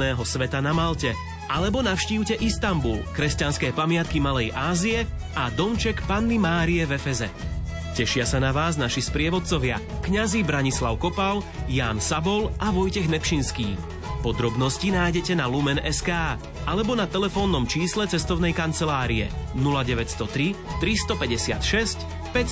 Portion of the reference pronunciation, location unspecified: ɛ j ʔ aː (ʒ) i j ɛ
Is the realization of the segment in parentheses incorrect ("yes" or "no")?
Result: yes